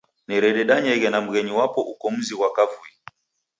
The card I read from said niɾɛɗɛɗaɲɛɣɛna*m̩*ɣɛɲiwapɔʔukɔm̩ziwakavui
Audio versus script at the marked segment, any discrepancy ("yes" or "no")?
no